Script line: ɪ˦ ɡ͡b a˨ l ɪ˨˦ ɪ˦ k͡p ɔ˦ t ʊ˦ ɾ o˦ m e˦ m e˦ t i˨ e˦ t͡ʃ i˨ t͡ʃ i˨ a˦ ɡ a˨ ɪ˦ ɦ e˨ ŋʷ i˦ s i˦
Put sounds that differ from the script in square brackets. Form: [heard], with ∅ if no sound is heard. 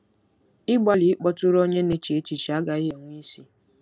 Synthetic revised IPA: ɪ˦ ɡ͡b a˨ l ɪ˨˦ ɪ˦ k͡p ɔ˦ t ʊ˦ ɾ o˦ [ɲ] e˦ [n] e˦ [t͡ʃ] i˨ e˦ t͡ʃ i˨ t͡ʃ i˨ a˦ ɡ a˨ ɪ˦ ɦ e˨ ŋʷ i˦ s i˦